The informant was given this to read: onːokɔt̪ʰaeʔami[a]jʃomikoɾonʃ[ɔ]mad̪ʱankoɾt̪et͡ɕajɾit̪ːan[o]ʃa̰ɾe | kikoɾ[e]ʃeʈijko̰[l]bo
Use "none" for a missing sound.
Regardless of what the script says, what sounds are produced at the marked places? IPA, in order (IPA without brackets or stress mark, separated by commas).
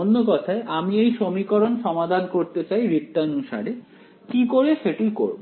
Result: e, ɔ, u, e, ɾ